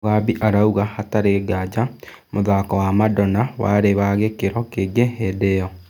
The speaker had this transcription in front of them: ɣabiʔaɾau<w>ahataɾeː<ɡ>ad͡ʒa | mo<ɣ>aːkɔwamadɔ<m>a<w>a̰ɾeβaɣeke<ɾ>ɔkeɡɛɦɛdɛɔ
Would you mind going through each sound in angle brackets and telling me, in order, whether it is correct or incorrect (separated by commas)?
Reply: incorrect, correct, incorrect, incorrect, correct, correct